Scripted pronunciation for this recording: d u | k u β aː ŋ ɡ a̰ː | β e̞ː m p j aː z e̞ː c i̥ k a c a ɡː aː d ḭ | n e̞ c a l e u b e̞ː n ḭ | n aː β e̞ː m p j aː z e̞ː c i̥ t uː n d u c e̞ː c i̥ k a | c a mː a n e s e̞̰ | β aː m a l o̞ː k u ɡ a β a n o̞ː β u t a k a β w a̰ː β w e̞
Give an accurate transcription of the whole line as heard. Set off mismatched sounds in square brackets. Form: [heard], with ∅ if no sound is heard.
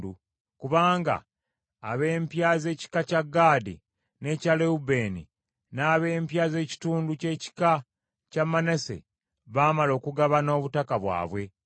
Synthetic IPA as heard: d u | k u β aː ŋ ɡ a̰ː | β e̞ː m p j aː z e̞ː c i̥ k a c a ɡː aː d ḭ | n e̞ c a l e u b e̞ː n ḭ | n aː β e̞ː m p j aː z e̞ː c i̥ t uː n d u c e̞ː c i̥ k a | c a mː a n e s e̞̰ | β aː m a l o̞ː k u ɡ a β a n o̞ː β u t a k a β w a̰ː β w e̞